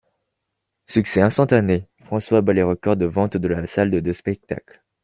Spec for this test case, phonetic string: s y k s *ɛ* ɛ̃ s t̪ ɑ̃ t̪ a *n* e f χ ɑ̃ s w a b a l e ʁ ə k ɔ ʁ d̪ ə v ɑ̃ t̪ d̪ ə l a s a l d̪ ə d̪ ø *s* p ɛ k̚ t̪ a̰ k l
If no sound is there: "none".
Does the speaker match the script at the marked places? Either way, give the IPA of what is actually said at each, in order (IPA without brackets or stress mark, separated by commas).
ɛ, n, s